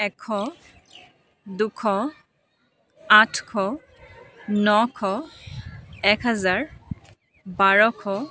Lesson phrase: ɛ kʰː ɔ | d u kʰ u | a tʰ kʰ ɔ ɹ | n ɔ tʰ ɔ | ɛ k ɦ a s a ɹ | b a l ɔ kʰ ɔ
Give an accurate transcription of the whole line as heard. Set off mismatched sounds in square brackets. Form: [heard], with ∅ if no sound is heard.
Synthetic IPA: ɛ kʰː ɔ | d u kʰ [ɔ] | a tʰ kʰ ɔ [∅] | n ɔ [kʰ] ɔ | ɛ k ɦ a [z] a ɹ | b a [ɹ] ɔ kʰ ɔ

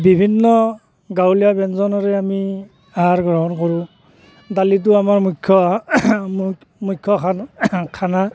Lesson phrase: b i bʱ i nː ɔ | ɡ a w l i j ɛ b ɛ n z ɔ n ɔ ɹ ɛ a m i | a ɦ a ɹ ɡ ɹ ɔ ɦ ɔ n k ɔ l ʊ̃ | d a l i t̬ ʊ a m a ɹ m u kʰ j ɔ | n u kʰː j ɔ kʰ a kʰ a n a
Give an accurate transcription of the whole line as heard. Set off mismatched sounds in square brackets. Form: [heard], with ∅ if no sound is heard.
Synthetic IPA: b i bʱ i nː ɔ | ɡ a w l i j [a] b ɛ n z ɔ n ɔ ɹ ɛ a m i | a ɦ a ɹ ɡ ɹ ɔ ɦ ɔ n k ɔ [ɹ] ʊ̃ | d a l i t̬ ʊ a m a ɹ m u kʰ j ɔ | [m] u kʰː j ɔ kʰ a kʰ a n a

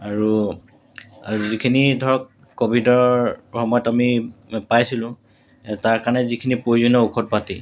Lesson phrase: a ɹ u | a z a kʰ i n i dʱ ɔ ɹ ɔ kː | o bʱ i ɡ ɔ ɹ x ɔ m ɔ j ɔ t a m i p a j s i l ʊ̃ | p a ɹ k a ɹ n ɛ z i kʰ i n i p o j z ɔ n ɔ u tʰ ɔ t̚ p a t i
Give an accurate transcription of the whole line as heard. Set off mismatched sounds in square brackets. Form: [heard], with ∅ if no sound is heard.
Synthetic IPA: a ɹ u | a z [i] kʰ i n i dʱ ɔ ɹ ɔ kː | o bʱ i [d] ɔ ɹ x ɔ m ɔ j ɔ t a m i p a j s i l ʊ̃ | [t] a ɹ k a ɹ n ɛ z i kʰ i n i p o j z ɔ n ɔ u [kʰ] ɔ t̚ p a t i

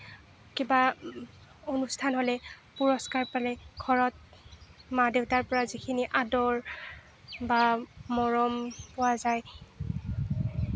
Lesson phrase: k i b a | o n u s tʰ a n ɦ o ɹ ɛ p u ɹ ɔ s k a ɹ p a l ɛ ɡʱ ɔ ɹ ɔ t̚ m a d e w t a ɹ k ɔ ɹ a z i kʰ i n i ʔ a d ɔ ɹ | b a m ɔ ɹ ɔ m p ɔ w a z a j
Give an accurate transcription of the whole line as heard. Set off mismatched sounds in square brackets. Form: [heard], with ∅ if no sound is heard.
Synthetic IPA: k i b a | o n u s tʰ a n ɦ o [l] ɛ p u ɹ ɔ s k a ɹ p a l ɛ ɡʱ ɔ ɹ ɔ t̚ m a d e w t a ɹ [p] ɔ ɹ a z i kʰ i n i ʔ a d ɔ ɹ | b a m ɔ ɹ ɔ m p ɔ w a z a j

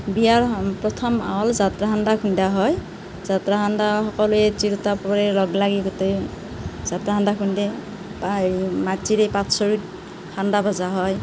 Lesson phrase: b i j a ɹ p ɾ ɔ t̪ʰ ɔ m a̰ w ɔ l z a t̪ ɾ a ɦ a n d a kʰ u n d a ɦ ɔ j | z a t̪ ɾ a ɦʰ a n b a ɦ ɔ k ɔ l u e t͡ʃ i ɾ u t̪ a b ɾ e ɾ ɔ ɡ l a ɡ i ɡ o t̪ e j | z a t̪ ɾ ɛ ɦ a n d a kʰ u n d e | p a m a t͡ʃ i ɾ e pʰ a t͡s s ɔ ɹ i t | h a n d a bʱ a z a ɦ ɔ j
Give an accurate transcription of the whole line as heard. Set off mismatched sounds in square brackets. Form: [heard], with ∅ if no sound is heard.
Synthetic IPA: b i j a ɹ p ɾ ɔ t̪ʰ ɔ m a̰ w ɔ l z a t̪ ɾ a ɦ a n d a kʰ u n d a ɦ ɔ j | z a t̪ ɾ a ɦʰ a n [d] a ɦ ɔ k ɔ l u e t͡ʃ i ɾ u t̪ a [p] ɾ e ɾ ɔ ɡ l a ɡ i ɡ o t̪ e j | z a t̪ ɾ [a] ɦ a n d a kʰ u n d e | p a m a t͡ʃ i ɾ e [p] a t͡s s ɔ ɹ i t | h a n d a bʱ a z a ɦ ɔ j

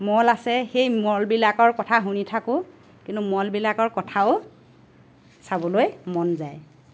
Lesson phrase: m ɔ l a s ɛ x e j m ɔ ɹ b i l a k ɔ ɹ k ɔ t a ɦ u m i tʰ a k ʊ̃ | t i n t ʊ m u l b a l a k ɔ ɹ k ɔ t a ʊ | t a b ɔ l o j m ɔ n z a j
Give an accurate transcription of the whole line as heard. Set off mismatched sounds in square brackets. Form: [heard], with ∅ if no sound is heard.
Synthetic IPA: m ɔ l a s ɛ x e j m ɔ [l] b i l a k ɔ ɹ k ɔ [tʰ] a ɦ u [n] i tʰ a k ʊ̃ | [k] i n t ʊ m [ɔ] l b [i] l a k ɔ ɹ k ɔ [tʰ] a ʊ | [s] a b ɔ l o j m ɔ n z a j

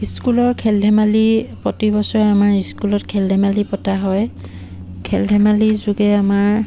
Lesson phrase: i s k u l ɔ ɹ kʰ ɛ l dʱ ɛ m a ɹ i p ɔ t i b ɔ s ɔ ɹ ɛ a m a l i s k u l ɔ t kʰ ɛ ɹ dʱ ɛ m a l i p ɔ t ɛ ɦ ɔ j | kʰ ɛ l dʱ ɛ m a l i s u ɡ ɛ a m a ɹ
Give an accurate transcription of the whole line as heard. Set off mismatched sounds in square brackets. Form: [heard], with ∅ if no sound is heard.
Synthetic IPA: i s k u l ɔ ɹ kʰ ɛ l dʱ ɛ m a [l] i p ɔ t i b ɔ s ɔ ɹ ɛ a m a [ɹ] i s k u l ɔ t kʰ ɛ [l] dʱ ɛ m a l i p ɔ t [a] ɦ ɔ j | kʰ ɛ l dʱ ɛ m a l i [z] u ɡ ɛ a m a ɹ

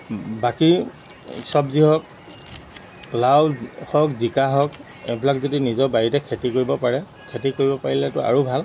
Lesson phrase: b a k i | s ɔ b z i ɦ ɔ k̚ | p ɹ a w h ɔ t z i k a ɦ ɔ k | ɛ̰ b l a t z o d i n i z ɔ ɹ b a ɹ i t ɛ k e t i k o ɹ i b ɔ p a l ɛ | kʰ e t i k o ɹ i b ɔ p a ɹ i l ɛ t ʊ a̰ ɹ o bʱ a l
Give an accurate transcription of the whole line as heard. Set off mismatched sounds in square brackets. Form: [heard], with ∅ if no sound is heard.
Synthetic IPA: b a k i | s ɔ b z i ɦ ɔ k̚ | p [l] a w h ɔ [k] z i k a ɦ ɔ k | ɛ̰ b l a [k] z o d i n i z ɔ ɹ b a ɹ i t ɛ [kʰ] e t i k o ɹ i b ɔ p a [ɹ] ɛ | kʰ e t i k o ɹ i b ɔ p a ɹ i l ɛ t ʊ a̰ ɹ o bʱ a l

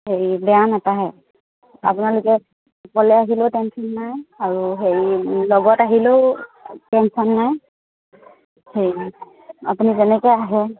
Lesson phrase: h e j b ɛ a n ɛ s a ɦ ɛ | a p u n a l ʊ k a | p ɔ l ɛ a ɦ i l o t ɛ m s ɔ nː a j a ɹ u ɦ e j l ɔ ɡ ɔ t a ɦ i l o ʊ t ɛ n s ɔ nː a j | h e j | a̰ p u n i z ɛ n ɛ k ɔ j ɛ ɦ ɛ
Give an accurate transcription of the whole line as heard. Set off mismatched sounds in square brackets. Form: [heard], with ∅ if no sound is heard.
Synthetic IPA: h e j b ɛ a n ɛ [t] a ɦ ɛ | a p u n a l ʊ k [ɛ] | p ɔ l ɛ a ɦ i l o t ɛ [n] s ɔ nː a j a ɹ u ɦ e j l ɔ ɡ ɔ t a ɦ i l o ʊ t ɛ n s ɔ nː a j | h e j | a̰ p u n i z ɛ n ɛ k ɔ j [a] ɦ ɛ

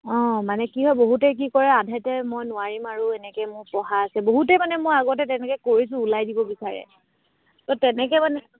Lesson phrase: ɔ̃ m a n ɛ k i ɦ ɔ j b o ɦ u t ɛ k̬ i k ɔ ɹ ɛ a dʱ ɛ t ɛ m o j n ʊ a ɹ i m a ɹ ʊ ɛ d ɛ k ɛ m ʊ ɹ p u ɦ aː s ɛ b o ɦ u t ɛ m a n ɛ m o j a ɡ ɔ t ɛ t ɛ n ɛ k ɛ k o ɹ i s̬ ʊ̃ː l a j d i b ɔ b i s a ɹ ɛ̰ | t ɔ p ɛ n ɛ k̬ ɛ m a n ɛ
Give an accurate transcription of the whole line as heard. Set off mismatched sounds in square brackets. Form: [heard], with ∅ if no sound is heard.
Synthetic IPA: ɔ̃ m a n ɛ k i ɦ ɔ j b o ɦ u t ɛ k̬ i k ɔ ɹ ɛ a dʱ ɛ t ɛ m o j n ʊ a ɹ i m a ɹ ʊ ɛ [n] ɛ k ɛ m ʊ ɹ p [ɔ] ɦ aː s ɛ b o ɦ u t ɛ m a n ɛ m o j a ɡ ɔ t ɛ t ɛ n ɛ k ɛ k o ɹ i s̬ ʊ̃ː l a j d i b ɔ b i s a ɹ ɛ̰ | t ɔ [t] ɛ n ɛ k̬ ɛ m a n ɛ

